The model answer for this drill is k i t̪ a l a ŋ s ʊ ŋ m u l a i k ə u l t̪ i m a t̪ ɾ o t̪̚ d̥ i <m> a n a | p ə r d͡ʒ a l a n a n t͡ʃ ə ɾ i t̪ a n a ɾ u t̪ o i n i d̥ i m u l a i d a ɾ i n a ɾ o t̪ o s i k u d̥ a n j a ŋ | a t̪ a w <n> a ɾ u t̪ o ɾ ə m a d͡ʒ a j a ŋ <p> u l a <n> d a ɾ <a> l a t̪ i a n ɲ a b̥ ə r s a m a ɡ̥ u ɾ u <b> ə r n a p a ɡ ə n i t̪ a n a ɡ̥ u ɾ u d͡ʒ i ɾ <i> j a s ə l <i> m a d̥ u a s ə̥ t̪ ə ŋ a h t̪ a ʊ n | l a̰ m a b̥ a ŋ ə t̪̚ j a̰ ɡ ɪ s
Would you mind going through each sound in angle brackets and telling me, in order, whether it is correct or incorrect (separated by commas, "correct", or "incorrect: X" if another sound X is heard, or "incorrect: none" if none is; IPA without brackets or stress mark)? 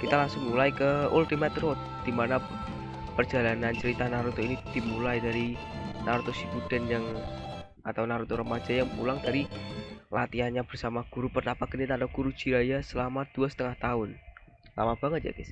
correct, correct, correct, incorrect: ŋ, incorrect: i, incorrect: p, incorrect: a, incorrect: a